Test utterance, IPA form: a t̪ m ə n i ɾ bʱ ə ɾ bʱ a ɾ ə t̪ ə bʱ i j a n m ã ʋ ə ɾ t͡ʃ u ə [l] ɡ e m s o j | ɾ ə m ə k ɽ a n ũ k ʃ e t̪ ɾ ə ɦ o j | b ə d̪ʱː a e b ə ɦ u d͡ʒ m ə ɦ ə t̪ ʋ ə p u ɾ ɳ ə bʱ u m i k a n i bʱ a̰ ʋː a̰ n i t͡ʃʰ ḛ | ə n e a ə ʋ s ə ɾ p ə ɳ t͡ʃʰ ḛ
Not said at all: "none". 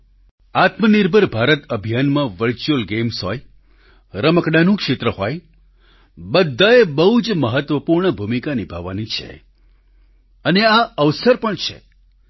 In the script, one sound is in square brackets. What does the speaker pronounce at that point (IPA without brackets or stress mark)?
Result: l